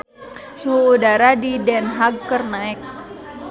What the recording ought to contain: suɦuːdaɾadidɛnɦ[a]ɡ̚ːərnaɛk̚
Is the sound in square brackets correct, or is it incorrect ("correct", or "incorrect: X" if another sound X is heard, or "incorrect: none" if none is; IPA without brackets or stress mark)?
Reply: correct